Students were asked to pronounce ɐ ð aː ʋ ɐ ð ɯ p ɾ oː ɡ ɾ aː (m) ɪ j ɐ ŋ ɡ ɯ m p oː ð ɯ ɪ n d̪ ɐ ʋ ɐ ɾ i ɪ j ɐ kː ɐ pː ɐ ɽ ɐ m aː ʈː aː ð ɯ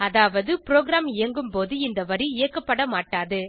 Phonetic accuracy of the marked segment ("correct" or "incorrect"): correct